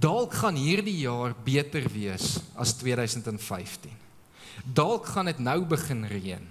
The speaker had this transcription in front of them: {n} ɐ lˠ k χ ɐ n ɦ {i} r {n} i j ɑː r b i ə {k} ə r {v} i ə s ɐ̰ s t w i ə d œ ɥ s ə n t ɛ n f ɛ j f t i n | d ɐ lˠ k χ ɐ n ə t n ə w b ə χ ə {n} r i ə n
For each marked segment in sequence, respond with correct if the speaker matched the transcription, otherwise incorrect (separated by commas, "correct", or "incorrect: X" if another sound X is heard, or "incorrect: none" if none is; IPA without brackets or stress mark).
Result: incorrect: d, incorrect: iː, incorrect: d, incorrect: t, correct, correct